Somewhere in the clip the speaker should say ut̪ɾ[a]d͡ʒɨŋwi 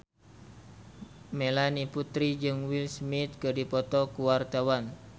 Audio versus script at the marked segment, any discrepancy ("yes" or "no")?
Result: yes